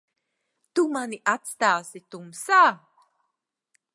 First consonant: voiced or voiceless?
voiceless